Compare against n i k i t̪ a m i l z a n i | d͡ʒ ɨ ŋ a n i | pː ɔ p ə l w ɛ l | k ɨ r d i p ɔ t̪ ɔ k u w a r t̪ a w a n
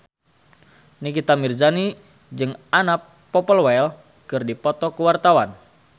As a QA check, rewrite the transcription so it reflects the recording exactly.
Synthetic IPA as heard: n i k i t̪ a m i r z a n i | d͡ʒ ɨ ŋ a n a | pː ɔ p ə l w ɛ l | k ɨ r d i p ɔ t̪ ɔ k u w a r t̪ a w a n